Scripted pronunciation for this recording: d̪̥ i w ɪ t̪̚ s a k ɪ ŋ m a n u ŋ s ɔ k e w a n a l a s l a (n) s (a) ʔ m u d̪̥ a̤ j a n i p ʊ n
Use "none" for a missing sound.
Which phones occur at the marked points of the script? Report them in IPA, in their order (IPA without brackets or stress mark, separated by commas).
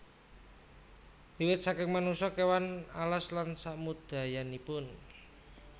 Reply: n, a